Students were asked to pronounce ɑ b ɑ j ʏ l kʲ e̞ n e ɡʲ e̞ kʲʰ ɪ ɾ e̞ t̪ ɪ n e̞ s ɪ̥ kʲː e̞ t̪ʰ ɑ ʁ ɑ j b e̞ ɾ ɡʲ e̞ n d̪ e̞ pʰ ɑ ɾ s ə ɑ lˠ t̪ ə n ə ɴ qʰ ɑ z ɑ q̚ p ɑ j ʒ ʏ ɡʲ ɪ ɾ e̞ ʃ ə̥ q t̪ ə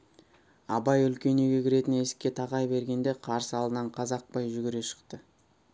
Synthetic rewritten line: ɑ b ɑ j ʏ l kʲ e̞ n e ɡʲ e̞ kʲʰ ɪ ɾ e̞ t̪ ɪ n e̞ s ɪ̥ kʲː e̞ t̪ʰ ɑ ʁ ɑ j b e̞ ɾ ɡʲ e̞ n d̪ e̞ qʰ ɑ ɾ s ə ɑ lˠ d̪ ə n ɑ ɴ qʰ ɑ z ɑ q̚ p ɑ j ʒ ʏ ɡʲ ɪ ɾ e̞ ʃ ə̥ q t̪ ə